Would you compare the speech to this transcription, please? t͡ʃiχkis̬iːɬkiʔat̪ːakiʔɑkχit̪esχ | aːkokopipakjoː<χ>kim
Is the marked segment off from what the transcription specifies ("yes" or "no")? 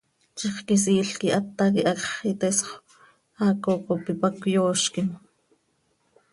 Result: yes